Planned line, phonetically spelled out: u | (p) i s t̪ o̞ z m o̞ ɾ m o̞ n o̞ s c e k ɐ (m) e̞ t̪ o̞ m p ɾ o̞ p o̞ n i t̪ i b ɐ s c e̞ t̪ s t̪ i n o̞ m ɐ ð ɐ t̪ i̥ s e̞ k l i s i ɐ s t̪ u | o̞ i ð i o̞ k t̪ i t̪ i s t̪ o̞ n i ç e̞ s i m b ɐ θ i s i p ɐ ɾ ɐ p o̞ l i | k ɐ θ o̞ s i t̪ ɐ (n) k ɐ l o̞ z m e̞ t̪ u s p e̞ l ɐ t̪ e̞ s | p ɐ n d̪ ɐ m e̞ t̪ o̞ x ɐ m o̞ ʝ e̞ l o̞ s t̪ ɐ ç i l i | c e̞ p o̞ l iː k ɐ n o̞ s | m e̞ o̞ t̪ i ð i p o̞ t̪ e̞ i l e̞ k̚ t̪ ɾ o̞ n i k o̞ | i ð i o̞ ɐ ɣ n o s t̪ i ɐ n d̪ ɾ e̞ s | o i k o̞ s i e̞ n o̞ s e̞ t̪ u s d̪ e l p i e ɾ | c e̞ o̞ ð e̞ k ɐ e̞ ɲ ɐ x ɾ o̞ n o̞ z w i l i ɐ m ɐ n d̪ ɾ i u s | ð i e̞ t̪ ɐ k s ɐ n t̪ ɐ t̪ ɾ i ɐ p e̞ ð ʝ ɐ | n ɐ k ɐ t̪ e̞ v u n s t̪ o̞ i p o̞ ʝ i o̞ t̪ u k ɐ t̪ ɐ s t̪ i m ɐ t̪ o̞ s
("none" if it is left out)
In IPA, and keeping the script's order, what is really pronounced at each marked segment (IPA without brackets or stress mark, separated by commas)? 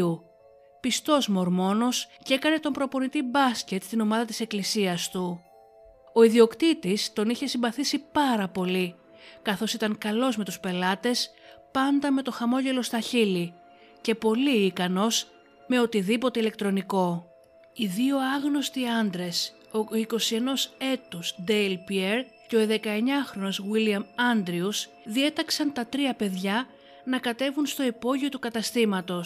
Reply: p, n, ŋ